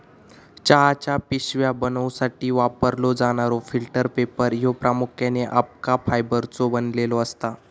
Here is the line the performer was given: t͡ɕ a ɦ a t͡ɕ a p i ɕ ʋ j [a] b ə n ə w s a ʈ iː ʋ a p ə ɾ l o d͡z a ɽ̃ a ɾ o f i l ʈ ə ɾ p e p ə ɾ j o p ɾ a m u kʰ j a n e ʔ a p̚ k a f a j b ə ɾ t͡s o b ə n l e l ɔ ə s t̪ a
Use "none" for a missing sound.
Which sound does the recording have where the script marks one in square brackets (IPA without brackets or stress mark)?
a